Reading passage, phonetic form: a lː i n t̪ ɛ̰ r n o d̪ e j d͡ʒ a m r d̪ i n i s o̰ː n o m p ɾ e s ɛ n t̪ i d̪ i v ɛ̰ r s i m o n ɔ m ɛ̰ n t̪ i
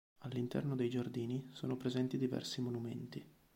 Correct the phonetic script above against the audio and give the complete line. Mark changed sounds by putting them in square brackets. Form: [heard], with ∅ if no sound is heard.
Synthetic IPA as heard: a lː i n t̪ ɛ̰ r n o d̪ e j d͡ʒ a [∅] r d̪ [iː] n i s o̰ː n o [∅] p ɾ e [z] ɛ n t̪ i d̪ i v ɛ̰ r s i m o n [u] m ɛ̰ n t̪ i